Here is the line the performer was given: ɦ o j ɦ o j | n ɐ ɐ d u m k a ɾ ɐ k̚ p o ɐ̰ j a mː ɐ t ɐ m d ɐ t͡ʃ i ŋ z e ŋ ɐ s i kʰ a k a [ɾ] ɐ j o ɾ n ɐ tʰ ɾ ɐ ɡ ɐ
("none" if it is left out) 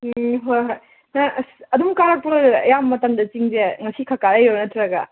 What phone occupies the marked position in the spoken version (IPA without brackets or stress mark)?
ɾ